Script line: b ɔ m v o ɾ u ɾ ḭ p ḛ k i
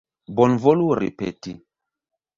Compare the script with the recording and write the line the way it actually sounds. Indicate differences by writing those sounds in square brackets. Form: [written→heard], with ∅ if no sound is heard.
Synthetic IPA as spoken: b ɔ [m→n] v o [ɾ→l] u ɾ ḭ p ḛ [k→t] i